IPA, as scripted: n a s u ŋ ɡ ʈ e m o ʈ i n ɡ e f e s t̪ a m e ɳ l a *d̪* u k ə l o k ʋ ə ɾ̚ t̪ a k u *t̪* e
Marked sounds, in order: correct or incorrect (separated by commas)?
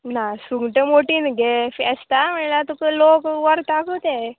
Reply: incorrect, correct